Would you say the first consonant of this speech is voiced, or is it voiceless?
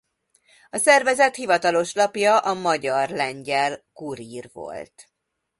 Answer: voiceless